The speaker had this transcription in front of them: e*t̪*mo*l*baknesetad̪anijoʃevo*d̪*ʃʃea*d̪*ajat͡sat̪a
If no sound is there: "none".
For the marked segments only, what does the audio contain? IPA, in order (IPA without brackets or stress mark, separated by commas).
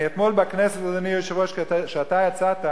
t̪, l, none, t̪